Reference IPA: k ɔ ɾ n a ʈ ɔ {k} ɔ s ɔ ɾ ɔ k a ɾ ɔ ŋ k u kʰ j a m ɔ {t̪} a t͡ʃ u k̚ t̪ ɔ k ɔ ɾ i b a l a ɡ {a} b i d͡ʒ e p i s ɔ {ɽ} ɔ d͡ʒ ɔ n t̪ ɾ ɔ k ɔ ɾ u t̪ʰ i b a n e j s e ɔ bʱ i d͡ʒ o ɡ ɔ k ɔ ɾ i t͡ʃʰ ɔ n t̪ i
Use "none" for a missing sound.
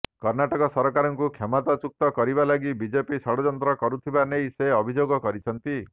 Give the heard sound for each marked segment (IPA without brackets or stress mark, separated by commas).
k, t̪, i, ɽ